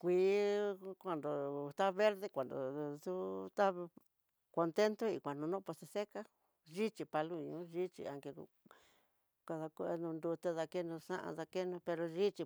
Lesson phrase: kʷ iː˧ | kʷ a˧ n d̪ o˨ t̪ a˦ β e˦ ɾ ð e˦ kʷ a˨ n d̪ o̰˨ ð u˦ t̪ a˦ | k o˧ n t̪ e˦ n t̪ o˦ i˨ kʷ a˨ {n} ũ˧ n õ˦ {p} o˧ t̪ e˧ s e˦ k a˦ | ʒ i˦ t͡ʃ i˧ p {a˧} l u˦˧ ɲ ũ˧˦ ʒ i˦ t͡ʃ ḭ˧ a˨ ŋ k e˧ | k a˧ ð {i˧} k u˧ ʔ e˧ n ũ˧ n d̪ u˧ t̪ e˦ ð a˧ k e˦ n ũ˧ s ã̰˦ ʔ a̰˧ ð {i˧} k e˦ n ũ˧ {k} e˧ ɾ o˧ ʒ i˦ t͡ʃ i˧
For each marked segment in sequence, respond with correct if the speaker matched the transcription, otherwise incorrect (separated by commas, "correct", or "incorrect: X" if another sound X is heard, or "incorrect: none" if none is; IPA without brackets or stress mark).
correct, correct, correct, incorrect: a˧, incorrect: a˧, incorrect: p